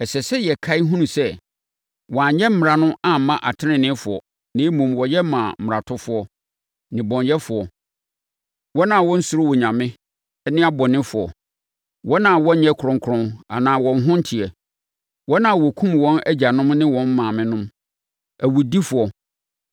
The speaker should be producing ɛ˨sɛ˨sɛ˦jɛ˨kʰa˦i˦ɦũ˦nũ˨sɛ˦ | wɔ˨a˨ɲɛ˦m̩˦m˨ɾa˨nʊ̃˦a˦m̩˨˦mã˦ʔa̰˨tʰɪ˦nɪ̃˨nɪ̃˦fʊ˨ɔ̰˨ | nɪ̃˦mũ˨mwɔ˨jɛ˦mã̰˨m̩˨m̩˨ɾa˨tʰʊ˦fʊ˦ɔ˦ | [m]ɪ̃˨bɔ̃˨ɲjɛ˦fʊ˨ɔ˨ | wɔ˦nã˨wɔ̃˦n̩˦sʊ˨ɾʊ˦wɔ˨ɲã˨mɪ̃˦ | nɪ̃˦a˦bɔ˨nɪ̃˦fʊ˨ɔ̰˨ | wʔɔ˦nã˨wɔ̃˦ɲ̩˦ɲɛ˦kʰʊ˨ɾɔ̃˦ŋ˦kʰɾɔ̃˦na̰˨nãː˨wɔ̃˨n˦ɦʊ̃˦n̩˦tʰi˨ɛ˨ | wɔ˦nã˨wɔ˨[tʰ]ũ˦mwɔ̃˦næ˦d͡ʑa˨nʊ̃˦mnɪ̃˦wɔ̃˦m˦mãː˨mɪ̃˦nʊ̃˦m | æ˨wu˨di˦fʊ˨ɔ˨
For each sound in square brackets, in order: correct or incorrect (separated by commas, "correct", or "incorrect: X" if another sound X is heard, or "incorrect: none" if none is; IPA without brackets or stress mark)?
incorrect: n, incorrect: kʰ